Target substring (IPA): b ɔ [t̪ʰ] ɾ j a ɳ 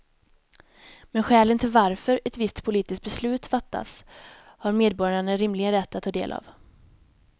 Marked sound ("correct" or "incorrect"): incorrect